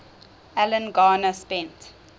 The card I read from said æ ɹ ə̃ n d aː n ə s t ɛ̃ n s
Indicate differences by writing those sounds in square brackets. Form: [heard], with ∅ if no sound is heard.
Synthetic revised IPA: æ [l] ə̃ n [ɡ] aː n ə s [p] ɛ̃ n [t]